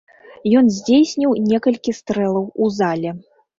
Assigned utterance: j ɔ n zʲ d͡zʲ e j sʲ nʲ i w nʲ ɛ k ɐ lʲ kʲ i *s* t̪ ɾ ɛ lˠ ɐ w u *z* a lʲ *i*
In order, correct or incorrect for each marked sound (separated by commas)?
correct, correct, incorrect